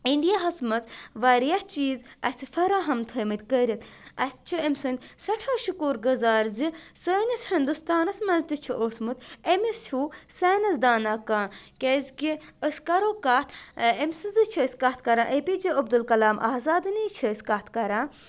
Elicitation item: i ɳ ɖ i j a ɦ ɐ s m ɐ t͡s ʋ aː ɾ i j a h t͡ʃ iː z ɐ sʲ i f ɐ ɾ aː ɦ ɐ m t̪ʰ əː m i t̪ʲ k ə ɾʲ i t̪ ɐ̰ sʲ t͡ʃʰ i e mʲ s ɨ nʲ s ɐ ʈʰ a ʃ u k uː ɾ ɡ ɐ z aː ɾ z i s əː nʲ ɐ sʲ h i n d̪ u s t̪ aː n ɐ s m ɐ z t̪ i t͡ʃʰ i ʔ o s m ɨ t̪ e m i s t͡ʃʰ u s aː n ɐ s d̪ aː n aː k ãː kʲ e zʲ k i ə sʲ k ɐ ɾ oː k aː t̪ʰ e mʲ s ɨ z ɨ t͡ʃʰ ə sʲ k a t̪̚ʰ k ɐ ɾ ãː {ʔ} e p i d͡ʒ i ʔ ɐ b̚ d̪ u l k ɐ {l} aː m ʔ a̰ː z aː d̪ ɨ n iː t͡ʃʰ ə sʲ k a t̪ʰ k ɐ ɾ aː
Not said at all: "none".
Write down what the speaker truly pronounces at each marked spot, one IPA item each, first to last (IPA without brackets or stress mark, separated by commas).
ʔ, l